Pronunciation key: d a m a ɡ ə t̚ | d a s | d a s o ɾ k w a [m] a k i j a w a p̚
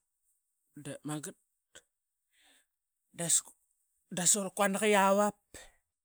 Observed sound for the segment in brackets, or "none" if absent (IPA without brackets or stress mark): n